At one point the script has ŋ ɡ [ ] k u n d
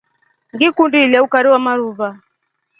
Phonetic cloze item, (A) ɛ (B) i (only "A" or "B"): B